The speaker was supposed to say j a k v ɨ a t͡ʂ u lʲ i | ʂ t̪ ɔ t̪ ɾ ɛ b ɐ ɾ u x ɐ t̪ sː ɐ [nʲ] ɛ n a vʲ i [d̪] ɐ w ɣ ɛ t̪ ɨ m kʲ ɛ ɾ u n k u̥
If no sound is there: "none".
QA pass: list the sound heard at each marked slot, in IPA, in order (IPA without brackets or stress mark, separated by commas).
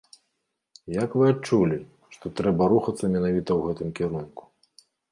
mʲ, t̪